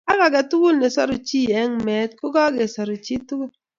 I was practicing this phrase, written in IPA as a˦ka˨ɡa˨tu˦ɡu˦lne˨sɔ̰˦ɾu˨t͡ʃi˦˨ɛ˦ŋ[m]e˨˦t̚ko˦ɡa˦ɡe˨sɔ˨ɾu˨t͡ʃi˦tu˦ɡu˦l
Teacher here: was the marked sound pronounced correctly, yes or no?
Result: yes